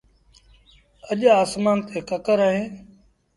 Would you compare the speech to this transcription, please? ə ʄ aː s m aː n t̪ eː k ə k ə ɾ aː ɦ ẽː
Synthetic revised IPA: ə ʄ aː s m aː n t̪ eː k ə k ə ɾ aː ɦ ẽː